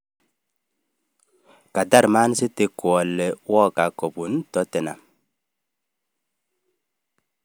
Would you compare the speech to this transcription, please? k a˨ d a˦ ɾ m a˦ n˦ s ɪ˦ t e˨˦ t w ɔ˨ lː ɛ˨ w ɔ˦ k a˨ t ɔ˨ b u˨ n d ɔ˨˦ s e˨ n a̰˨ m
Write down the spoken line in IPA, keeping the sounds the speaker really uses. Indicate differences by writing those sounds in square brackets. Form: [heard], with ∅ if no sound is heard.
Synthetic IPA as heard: k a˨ d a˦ ɾ m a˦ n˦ s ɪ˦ t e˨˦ [k] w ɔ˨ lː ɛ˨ w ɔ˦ k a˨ [k] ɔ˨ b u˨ n [t] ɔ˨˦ [t] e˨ n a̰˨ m